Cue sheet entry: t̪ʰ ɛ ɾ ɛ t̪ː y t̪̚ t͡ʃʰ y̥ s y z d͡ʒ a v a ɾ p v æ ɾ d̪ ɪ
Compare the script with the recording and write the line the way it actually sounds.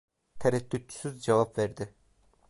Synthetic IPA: t̪ʰ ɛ ɾ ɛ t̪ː y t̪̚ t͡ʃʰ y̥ s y z d͡ʒ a v a p v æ ɾ d̪ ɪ